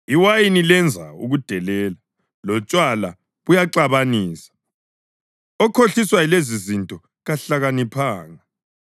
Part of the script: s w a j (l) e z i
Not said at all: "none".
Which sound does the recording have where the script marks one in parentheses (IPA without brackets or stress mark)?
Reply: l